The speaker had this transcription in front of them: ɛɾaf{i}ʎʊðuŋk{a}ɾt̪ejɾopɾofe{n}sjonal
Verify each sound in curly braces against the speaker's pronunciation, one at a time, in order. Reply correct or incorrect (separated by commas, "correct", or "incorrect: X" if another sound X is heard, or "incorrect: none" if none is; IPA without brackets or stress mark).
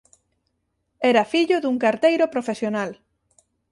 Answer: correct, correct, incorrect: none